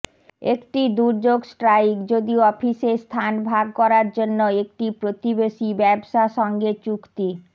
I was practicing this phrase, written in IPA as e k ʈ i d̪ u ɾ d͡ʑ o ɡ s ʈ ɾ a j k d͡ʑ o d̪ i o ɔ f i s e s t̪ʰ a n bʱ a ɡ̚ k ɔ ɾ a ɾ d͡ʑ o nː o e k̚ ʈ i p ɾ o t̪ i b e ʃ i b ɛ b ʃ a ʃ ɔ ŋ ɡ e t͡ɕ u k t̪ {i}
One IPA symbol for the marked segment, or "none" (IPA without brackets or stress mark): i